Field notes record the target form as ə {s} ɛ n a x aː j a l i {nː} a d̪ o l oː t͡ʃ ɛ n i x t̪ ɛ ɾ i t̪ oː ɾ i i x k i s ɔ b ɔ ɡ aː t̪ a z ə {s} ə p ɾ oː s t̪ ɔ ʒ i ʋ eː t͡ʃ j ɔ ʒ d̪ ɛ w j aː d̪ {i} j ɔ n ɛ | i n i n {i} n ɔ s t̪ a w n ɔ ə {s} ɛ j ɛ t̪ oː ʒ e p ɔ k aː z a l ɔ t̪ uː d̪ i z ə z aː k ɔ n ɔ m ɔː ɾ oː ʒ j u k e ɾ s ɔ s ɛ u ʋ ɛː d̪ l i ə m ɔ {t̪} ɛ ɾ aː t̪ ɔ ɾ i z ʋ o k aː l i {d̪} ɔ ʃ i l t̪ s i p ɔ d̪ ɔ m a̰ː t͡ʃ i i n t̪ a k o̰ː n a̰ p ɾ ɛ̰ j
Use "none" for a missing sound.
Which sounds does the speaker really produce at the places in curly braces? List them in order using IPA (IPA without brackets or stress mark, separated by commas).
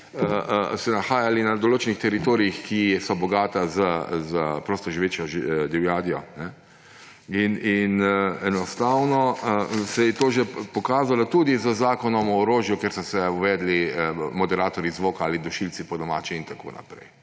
s, n, z, i, ɛ, s, d̪, d̪